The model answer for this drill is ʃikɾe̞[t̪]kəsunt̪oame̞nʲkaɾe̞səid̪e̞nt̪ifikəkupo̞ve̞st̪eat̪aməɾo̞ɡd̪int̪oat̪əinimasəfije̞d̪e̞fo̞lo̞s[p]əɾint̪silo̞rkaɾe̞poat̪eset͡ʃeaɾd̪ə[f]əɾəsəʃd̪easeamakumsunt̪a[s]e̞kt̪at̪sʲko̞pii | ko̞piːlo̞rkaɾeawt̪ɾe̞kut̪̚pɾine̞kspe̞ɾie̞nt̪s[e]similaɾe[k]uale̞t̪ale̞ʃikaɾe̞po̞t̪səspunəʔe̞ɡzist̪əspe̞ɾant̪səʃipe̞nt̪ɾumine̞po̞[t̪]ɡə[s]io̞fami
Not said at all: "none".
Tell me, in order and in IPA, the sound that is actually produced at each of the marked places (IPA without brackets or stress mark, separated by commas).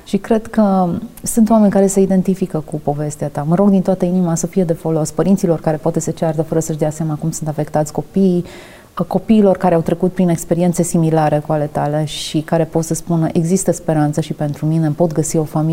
d̪, p, f, f, e, k, t̪, s